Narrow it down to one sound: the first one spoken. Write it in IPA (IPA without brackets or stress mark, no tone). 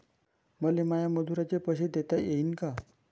m